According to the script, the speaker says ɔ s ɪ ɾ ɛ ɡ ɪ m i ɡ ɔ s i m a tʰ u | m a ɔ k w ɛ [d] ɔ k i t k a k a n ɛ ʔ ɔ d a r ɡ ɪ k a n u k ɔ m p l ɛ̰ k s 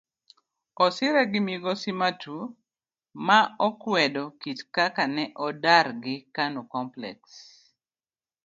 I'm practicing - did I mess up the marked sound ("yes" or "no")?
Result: no